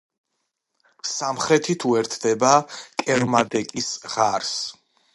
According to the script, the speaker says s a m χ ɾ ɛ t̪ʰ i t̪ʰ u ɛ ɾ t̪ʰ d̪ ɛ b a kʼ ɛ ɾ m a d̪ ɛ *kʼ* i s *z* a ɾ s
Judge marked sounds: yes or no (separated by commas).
yes, no